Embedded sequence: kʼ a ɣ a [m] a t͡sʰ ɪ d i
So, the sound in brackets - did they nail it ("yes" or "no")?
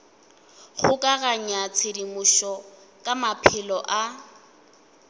no